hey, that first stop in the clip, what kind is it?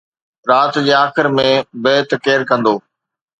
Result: plain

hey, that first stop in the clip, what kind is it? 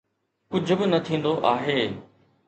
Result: plain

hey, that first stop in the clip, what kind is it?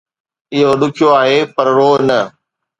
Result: implosive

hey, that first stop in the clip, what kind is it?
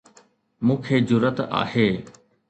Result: aspirated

